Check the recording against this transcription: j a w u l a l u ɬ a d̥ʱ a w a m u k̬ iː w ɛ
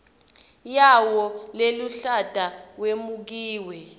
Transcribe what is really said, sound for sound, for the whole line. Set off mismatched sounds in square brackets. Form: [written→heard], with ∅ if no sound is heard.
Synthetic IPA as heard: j a w [u→ɔ] l [a→e] l u ɬ a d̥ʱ a w [a→e] m u k̬ iː w ɛ